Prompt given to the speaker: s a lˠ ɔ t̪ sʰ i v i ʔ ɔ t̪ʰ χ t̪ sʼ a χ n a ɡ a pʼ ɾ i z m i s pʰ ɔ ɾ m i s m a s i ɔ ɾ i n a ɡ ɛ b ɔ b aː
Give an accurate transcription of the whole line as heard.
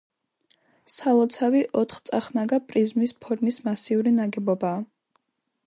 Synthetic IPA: s a lˠ ɔ t̪ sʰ a v i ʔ ɔ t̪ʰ χ t̪ sʼ a χ n a ɡ a pʼ ɾ i z m i s pʰ ɔ ɾ m i s m a s i u ɾ i n a ɡ ɛ b ɔ b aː